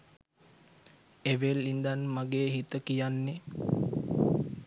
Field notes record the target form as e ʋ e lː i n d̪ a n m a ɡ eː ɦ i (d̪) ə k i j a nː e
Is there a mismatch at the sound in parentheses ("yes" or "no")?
yes